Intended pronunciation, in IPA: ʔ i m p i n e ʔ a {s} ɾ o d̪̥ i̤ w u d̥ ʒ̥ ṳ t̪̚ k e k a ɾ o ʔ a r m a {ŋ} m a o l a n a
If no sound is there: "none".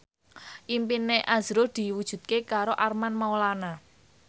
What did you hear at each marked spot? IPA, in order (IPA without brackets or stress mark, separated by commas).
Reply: z, n